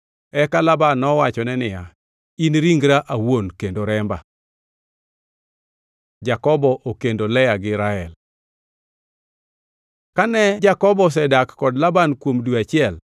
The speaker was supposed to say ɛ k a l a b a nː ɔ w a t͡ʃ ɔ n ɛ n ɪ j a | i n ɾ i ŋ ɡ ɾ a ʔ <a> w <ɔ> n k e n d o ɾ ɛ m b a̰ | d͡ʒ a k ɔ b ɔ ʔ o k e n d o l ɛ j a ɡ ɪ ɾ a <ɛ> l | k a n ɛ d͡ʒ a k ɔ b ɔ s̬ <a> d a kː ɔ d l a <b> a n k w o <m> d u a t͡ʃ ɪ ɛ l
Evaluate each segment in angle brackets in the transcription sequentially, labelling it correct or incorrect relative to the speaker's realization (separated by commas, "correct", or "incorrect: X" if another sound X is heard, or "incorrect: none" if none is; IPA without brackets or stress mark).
correct, incorrect: o, correct, incorrect: ɛ, correct, correct